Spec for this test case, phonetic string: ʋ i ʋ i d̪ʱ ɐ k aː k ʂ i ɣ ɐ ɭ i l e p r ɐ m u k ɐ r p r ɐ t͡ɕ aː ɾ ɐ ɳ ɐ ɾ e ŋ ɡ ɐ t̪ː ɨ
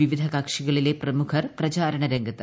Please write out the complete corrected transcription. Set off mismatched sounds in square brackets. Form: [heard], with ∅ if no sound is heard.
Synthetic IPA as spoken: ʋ i ʋ i d̪ʱ ɐ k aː k ʂ i ɣ ɐ ɭ i l e p r ɐ m u [kʰ] ɐ r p r ɐ t͡ɕ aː ɾ ɐ ɳ ɐ ɾ e ŋ ɡ ɐ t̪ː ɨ